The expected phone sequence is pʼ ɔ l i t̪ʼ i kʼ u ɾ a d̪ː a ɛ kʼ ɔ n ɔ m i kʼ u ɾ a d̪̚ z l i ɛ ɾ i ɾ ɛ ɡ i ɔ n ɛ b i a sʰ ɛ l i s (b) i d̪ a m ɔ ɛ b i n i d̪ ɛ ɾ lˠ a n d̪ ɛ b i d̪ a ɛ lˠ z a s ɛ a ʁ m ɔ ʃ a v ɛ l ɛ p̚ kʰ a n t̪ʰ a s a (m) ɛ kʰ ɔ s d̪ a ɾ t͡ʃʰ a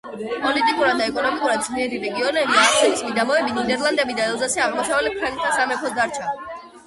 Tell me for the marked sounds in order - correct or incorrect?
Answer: incorrect, correct

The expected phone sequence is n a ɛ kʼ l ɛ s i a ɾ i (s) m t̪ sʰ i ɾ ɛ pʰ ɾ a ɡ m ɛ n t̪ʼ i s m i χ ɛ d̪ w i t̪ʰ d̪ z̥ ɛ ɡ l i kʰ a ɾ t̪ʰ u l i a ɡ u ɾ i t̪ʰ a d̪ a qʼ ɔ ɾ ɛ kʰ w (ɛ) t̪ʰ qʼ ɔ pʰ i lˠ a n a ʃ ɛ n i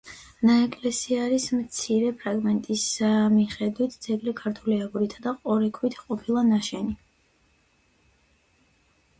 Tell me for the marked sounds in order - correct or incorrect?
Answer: correct, incorrect

